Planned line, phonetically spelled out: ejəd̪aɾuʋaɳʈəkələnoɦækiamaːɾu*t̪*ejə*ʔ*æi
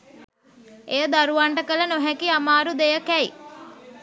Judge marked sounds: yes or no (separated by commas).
no, no